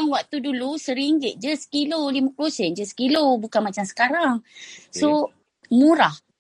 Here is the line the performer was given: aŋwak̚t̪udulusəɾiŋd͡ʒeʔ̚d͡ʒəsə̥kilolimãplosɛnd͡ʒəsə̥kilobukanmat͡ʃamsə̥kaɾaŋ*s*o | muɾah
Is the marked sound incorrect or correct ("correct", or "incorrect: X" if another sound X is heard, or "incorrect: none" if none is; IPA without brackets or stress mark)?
correct